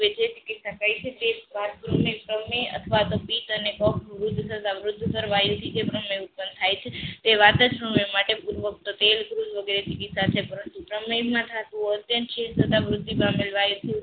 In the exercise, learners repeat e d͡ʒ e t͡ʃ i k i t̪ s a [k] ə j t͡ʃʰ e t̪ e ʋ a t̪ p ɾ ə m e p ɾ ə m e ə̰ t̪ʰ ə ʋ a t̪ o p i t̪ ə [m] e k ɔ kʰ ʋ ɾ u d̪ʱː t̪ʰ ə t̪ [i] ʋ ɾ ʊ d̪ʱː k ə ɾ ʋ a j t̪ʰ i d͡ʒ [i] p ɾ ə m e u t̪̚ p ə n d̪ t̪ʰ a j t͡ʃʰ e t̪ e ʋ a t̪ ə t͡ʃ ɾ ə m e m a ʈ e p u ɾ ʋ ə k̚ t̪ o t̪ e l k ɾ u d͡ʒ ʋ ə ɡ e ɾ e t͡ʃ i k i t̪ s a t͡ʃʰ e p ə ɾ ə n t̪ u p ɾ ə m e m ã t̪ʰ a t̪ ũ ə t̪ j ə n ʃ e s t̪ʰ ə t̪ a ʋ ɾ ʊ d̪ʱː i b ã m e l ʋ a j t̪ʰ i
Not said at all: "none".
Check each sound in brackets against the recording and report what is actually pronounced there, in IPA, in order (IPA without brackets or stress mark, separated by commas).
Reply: k, n, a, e